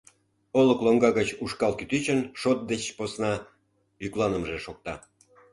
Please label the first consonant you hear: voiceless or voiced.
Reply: voiced